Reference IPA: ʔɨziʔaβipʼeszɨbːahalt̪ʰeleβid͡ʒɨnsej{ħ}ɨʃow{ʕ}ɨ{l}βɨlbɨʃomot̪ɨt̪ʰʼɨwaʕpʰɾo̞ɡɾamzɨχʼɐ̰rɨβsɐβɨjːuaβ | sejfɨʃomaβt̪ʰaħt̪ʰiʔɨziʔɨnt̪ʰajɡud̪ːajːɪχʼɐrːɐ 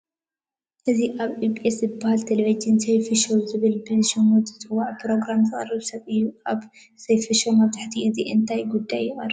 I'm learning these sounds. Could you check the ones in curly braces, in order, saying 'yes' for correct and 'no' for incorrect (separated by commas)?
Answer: no, no, no